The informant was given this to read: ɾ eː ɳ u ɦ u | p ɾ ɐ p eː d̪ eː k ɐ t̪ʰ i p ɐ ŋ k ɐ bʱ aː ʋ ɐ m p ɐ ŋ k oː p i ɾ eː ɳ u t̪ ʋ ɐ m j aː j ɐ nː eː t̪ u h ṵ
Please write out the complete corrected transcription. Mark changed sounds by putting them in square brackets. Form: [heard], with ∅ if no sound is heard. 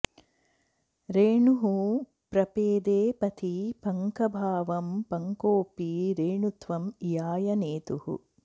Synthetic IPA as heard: ɾ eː ɳ u ɦ u | p ɾ ɐ p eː d̪ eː [p] ɐ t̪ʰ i p ɐ ŋ k ɐ bʱ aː ʋ ɐ m p ɐ ŋ k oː p i ɾ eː ɳ u t̪ ʋ ɐ m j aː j ɐ [n] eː t̪ u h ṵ